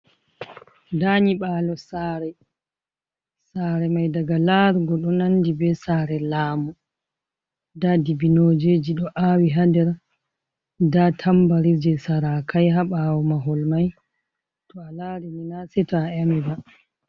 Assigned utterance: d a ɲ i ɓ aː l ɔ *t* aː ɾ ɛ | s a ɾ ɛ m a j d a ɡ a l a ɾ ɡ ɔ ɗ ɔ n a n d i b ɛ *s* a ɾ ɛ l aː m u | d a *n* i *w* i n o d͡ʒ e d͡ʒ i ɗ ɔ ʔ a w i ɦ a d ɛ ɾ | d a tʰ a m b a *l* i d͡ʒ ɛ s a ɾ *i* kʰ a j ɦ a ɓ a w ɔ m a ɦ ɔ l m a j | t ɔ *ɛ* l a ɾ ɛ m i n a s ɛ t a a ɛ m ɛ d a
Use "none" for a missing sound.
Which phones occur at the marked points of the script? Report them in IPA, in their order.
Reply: s, s, d, b, ɾ, a, a

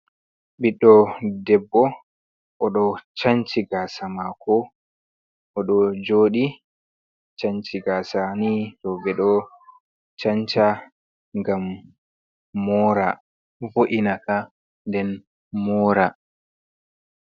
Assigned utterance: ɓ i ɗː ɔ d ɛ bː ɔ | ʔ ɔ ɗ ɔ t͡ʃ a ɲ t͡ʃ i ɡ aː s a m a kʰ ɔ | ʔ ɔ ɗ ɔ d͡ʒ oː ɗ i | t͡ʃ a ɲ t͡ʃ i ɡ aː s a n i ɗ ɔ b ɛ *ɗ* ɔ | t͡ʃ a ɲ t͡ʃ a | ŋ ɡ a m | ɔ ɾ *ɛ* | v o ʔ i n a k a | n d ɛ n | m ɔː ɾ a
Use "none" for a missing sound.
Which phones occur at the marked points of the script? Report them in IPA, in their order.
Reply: ɗ, a

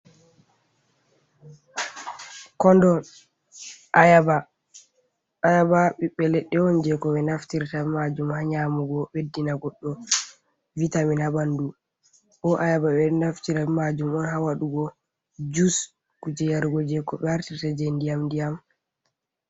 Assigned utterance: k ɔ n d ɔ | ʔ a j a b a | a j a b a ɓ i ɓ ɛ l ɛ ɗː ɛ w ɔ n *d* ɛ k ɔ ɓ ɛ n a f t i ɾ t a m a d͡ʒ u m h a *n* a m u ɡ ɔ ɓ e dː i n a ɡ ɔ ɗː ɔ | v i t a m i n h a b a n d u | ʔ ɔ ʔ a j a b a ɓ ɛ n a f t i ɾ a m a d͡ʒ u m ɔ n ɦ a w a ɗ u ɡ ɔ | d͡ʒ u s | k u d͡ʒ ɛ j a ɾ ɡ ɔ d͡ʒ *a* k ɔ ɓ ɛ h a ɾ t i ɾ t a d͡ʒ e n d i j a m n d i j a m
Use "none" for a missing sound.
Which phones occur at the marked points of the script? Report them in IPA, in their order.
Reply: d͡ʒ, ɲ, ɛ

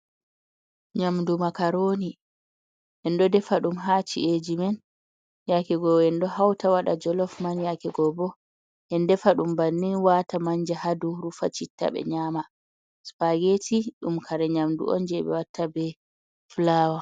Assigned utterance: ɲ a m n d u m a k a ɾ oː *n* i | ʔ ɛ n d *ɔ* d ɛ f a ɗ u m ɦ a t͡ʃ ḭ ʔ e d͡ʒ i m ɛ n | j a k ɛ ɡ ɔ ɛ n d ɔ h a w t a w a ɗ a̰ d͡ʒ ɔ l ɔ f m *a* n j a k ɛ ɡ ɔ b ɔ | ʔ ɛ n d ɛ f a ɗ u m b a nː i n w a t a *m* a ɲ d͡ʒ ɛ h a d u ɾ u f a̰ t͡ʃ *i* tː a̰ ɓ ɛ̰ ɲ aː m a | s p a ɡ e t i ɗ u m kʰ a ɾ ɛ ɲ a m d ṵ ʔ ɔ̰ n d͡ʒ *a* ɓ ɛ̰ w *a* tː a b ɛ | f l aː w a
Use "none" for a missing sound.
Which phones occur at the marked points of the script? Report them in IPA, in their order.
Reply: n, ɔ, a, m, i, ɛ, a

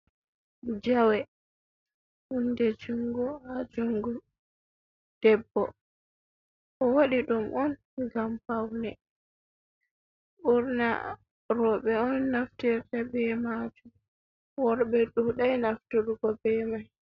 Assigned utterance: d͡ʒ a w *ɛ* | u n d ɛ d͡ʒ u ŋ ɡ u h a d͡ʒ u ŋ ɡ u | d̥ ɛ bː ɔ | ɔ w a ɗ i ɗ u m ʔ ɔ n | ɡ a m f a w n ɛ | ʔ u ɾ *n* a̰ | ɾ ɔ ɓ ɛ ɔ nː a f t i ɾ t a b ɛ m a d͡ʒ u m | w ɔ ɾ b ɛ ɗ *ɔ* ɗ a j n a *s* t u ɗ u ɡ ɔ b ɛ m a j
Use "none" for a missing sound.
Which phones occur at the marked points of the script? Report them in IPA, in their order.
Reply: ɛ, n, u, f

